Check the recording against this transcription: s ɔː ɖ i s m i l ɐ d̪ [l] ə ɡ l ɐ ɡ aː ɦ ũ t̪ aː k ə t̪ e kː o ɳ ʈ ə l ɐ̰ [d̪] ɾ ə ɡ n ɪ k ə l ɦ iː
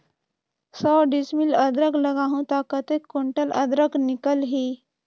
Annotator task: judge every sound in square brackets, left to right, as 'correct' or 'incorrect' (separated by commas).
incorrect, correct